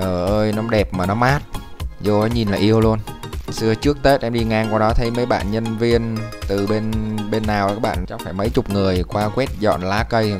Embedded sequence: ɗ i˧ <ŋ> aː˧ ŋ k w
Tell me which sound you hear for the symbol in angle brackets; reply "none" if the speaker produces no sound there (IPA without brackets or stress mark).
ŋ